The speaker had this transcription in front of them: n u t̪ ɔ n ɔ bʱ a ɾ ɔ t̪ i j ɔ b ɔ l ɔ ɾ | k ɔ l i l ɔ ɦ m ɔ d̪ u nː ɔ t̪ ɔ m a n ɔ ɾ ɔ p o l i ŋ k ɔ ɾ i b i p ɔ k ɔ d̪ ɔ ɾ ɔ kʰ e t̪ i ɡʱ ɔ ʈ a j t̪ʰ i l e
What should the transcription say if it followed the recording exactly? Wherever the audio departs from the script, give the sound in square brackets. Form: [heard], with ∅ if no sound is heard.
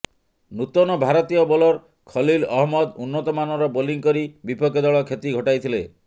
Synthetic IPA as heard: n u t̪ ɔ n ɔ bʱ a ɾ ɔ t̪ i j ɔ b ɔ l ɔ ɾ | [kʰ] ɔ l i l ɔ ɦ m ɔ d̪ u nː ɔ t̪ ɔ m a n ɔ ɾ ɔ [b] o l i ŋ k ɔ ɾ i b i p ɔ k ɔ d̪ ɔ [ɭ] ɔ kʰ e t̪ i ɡʱ ɔ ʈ a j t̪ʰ i l e